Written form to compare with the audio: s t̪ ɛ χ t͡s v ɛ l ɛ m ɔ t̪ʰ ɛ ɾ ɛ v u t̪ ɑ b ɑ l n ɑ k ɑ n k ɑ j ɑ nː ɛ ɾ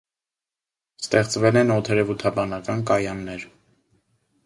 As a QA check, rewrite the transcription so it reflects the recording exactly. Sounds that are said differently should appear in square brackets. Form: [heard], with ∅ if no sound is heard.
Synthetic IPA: s t̪ ɛ χ t͡s v ɛ l ɛ [n] ɔ t̪ʰ ɛ ɾ ɛ v u [t̪ʰ] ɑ b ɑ [∅] n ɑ k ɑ n k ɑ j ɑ nː ɛ ɾ